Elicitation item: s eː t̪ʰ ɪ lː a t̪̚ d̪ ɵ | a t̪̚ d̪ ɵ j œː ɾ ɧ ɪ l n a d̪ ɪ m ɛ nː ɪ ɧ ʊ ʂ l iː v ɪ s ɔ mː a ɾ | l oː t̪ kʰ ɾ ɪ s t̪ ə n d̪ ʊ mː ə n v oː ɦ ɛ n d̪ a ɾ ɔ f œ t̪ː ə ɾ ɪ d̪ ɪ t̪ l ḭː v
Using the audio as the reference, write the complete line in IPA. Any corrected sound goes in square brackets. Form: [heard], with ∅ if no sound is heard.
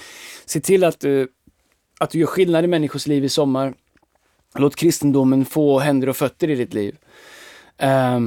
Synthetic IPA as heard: s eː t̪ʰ ɪ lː a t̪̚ d̪ ɵ | a t̪̚ d̪ ɵ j œː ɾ ɧ ɪ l n a d̪ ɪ m ɛ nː ɪ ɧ ʊ ʂ l iː v ɪ s ɔ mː a ɾ | l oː t̪ kʰ ɾ ɪ s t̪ ə n d̪ ʊ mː ə n [f] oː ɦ ɛ n d̪ [ə] ɾ ɔ f œ t̪ː ə ɾ ɪ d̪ ɪ t̪ l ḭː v